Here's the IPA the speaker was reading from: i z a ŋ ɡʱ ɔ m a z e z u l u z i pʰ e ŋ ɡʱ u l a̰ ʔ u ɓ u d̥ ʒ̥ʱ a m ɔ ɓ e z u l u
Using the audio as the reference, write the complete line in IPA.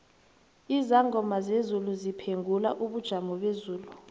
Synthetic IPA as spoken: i z a ŋ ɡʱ ɔ m a z e z u l u z i pʰ e ŋ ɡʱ u l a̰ ʔ u ɓ u d̥ ʒ̥ʱ a m ɔ ɓ e z uː l u